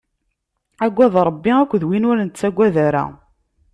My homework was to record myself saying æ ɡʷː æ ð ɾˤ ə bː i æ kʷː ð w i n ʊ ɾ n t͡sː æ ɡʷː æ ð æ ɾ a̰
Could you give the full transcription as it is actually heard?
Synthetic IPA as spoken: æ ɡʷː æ ð ɾˤ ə bː i æ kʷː ð w i n ʊ ɾ n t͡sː æ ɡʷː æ ð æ ɾ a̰